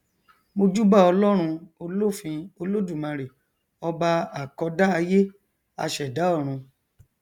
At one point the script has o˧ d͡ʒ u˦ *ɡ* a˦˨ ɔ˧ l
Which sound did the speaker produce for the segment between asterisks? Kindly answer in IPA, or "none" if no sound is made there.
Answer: b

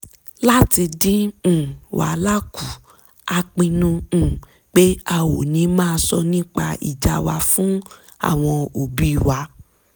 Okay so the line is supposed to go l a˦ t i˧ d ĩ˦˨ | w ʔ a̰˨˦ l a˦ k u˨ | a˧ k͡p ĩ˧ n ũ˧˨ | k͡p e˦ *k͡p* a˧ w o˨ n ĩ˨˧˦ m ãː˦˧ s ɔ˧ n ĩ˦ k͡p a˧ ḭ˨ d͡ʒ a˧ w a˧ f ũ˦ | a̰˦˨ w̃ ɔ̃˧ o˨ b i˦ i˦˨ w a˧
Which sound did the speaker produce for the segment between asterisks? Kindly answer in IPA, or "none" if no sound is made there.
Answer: none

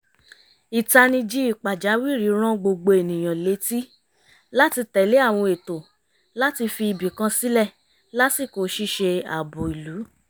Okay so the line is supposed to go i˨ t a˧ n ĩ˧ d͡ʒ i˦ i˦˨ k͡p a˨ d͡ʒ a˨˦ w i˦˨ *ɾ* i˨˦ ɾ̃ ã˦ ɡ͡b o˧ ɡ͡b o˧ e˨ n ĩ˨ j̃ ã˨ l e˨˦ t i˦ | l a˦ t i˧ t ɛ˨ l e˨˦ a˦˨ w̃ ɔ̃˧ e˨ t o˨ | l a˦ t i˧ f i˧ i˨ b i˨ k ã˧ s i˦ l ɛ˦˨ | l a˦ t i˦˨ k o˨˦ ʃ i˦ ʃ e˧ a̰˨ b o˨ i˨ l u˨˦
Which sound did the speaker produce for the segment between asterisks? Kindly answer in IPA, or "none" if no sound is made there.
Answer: ɾ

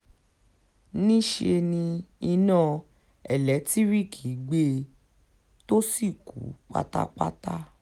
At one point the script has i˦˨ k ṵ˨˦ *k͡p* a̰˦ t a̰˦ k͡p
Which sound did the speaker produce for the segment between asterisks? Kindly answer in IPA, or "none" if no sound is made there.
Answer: k͡p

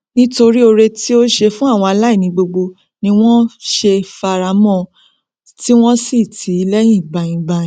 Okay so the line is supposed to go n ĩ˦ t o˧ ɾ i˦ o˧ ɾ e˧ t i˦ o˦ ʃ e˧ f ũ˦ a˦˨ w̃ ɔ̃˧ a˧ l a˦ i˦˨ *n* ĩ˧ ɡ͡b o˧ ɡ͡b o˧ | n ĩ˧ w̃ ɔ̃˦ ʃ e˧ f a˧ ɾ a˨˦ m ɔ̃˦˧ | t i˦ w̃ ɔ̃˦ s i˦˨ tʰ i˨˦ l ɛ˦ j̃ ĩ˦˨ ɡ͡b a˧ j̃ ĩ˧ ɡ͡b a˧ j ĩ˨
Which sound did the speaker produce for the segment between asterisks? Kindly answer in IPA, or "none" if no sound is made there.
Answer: n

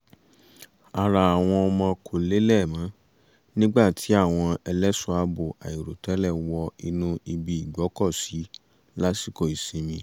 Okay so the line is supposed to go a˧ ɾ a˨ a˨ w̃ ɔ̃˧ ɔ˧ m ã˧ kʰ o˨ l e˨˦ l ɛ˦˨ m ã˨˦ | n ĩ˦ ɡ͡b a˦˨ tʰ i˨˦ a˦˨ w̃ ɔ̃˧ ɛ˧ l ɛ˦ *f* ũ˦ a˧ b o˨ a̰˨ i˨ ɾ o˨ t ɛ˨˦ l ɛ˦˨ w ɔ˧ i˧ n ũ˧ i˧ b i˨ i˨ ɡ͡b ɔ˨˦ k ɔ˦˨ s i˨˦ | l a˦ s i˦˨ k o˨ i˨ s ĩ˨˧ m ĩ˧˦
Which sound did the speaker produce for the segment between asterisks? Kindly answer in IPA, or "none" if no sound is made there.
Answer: s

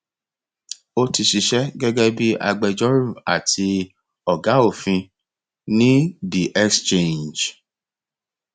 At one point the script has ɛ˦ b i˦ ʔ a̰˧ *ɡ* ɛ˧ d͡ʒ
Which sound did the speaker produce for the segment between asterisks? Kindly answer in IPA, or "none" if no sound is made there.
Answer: ɡ͡b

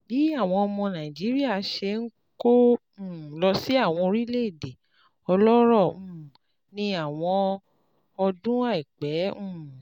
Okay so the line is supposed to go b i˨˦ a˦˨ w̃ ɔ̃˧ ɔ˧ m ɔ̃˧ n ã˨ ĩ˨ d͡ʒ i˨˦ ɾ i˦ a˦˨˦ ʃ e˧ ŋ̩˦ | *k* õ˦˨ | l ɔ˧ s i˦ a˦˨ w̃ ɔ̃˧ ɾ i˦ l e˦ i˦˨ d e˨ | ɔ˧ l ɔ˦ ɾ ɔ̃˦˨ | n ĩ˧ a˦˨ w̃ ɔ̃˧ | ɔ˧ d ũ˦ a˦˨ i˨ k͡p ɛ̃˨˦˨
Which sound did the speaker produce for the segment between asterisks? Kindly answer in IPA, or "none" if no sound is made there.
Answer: k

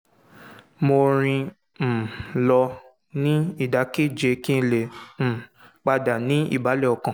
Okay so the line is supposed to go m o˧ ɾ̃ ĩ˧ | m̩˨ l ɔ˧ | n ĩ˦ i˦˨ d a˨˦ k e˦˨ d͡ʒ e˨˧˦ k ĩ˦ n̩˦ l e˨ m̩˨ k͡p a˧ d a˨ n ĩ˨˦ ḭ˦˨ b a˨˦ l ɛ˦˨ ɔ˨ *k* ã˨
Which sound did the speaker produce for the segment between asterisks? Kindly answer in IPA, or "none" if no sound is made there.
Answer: k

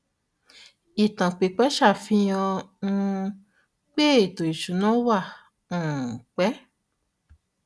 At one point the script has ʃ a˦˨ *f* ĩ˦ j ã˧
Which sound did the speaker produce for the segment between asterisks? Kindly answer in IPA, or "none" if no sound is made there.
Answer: f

